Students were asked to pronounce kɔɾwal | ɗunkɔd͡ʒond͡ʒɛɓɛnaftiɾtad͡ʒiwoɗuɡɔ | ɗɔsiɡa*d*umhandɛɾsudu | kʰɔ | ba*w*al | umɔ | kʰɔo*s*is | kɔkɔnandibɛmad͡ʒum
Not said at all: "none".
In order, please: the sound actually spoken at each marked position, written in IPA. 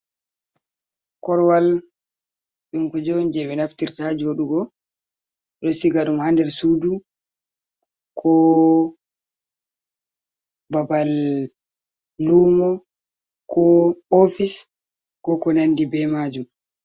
ɗ, b, f

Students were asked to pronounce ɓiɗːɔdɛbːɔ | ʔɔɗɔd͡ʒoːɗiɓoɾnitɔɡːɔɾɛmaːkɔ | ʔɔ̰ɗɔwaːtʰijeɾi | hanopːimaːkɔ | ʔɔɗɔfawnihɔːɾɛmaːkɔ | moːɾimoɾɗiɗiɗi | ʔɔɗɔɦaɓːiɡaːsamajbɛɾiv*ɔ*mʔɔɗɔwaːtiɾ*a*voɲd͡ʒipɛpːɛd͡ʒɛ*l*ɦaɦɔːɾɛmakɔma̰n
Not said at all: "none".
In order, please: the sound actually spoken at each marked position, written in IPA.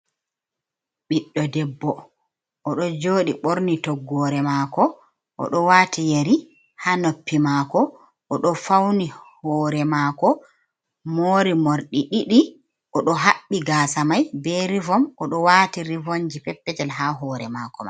ɔ, i, l

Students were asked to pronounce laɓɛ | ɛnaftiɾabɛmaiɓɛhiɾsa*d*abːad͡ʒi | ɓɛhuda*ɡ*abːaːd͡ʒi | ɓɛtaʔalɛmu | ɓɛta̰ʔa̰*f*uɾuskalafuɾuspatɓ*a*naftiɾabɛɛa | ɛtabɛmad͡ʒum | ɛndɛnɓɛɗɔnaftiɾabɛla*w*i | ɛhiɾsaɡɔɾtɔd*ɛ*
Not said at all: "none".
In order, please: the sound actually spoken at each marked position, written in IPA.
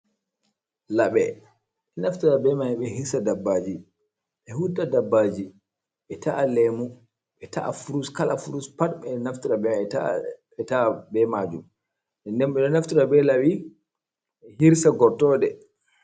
d, d, f, ɛ, w, ɛ

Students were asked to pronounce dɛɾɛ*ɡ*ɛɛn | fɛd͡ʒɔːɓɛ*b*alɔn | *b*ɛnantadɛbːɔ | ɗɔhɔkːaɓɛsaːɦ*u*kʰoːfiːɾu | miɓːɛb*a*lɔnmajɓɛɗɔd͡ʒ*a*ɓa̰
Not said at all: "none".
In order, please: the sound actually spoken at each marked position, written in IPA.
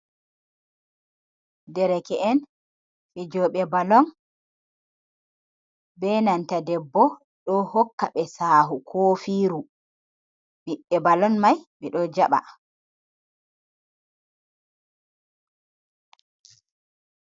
k, b, b, u, a, a

